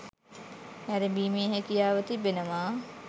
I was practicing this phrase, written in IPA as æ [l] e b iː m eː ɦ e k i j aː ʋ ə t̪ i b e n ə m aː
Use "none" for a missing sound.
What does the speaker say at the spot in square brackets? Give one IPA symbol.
ɾ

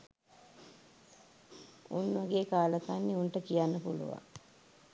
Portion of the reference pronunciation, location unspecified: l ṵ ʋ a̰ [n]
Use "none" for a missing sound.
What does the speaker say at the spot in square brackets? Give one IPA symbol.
ŋ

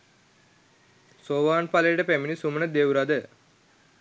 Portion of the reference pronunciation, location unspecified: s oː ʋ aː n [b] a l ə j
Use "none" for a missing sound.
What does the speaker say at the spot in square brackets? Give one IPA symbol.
p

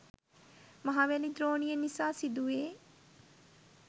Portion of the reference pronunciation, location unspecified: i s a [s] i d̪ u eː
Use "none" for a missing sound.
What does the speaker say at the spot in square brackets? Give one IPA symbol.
s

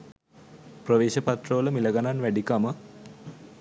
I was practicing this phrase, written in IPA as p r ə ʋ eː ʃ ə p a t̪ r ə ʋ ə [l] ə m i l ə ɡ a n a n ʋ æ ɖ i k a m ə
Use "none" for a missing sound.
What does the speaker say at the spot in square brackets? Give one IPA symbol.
l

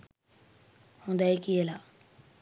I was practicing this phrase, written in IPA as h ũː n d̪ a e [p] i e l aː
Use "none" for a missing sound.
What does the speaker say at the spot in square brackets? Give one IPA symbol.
k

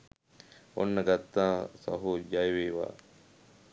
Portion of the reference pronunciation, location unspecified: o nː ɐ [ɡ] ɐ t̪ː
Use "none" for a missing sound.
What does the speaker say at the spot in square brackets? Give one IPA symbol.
ɡ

